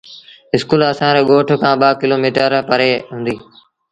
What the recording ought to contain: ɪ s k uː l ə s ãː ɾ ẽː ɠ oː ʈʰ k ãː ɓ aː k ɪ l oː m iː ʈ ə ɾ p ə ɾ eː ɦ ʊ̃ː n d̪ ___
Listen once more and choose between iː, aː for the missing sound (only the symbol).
iː